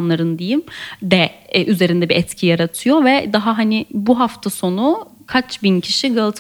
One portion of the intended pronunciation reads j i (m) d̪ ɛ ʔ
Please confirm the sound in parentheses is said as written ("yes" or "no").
yes